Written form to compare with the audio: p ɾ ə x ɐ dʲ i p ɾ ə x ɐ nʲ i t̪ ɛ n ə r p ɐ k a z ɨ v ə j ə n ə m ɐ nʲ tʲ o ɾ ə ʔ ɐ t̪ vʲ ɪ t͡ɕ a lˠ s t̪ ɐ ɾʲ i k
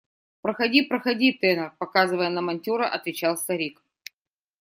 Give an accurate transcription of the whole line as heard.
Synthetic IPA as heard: p ɾ ə x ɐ dʲ i p ɾ ə x ɐ dʲ i t̪ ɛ n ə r p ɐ k a z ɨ v ə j ə n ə m ɐ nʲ tʲ o ɾ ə ʔ ɐ t̪ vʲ ɪ t͡ɕ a lˠ s t̪ ɐ ɾʲ i k